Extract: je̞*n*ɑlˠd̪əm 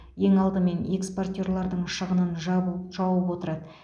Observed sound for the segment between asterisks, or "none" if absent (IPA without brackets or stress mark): ŋ